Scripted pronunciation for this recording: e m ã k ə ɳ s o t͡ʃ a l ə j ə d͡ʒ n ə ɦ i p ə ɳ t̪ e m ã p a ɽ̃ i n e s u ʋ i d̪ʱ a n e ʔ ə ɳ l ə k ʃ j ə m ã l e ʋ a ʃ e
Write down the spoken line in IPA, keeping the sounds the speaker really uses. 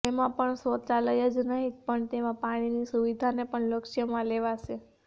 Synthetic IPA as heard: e m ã p ə ɳ s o t͡ʃ a l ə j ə d͡ʒ n ə ɦ i p ə ɳ t̪ e m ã p a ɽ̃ i n i s u ʋ i d̪ʱ a n e p ə ɳ l ə k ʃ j ə m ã l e ʋ a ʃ e